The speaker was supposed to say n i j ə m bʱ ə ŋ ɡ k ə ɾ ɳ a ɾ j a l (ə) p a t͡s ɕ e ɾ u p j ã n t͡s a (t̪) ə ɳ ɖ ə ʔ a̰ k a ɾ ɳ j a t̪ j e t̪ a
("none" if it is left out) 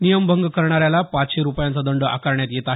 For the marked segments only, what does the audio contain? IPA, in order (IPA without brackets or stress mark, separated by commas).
a, d̪